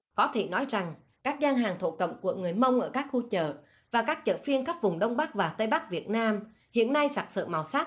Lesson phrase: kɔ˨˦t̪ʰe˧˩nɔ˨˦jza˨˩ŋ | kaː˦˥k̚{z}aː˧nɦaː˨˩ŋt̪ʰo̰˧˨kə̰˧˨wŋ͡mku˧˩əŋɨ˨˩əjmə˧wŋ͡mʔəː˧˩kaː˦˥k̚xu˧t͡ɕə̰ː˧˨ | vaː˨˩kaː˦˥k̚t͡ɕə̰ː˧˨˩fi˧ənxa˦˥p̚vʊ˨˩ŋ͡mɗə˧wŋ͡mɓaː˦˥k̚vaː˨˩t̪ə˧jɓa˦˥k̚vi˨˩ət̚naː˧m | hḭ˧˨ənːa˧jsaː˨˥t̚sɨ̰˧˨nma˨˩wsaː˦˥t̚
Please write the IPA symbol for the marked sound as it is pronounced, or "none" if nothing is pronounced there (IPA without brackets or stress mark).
z